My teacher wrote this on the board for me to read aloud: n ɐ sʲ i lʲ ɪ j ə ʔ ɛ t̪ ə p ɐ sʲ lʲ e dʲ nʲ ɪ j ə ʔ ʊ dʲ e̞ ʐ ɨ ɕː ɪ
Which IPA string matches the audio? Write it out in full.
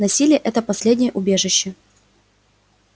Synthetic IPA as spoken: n ɐ sʲ i lʲ ɪ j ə ʔ ɛ t̪ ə p ɐ sʲ lʲ e dʲ nʲ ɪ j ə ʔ ʊ bʲ e̞ ʐ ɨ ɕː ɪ